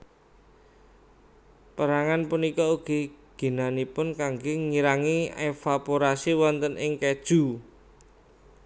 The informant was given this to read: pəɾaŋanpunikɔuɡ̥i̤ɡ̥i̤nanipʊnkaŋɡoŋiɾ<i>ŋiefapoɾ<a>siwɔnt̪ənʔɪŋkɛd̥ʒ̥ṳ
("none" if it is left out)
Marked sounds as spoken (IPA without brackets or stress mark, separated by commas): a, a